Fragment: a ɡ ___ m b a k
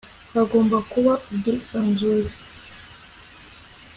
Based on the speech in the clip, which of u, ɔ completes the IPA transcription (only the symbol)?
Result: ɔ